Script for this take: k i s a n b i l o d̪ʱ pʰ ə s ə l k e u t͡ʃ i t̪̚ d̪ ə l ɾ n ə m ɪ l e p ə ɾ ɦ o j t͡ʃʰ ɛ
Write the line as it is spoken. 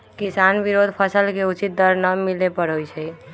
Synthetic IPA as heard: k i s a n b i ɾ o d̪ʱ pʰ ə s ə l k e u t͡ʃ i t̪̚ d̪ ə ɾ n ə m i l e p ə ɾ ɦ o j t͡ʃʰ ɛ